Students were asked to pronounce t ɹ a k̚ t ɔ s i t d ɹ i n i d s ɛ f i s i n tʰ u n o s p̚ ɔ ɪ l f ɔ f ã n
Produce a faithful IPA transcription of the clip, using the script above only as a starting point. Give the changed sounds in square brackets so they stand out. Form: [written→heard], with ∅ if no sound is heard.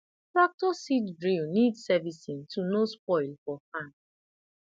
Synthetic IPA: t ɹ a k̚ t ɔ s i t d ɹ i n i d s ɛ [f→v] i s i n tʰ u n o s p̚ ɔ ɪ l f ɔ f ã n